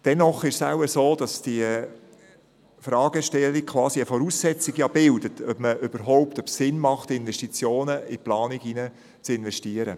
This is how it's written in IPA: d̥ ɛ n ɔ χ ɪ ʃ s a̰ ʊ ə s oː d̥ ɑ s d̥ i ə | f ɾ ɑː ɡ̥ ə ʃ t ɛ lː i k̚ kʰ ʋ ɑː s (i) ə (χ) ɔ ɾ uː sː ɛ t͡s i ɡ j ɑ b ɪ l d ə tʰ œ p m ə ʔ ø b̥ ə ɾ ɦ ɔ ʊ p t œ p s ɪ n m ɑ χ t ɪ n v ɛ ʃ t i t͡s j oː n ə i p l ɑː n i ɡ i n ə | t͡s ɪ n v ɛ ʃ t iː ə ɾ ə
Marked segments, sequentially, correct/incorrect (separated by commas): correct, incorrect